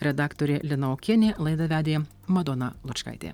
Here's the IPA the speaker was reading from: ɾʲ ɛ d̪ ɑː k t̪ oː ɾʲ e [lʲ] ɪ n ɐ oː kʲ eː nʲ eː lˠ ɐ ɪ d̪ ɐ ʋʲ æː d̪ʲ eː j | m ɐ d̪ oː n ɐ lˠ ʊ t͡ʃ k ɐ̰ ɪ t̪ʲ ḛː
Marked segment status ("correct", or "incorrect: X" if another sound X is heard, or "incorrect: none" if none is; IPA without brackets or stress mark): correct